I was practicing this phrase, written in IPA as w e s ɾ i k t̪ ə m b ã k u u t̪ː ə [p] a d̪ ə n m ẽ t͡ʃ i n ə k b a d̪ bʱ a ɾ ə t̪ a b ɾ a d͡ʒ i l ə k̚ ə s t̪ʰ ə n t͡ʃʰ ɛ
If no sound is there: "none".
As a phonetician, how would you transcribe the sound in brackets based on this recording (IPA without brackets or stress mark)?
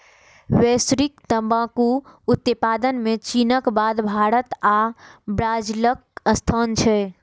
p